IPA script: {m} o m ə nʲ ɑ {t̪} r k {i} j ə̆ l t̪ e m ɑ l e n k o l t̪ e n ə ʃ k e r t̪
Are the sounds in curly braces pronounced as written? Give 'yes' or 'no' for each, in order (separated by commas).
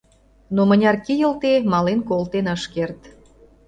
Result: no, no, yes